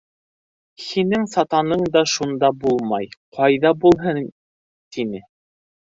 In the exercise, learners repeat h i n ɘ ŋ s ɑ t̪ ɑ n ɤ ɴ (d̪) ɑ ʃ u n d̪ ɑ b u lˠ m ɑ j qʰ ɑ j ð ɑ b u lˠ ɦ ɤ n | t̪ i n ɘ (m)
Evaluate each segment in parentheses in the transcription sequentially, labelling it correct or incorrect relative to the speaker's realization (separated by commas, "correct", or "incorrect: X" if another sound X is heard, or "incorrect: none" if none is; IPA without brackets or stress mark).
correct, incorrect: none